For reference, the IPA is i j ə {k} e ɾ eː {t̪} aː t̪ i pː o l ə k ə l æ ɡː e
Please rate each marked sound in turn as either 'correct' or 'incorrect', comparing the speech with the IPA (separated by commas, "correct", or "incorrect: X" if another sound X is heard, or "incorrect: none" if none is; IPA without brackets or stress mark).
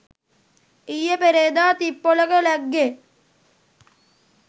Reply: incorrect: p, incorrect: d̪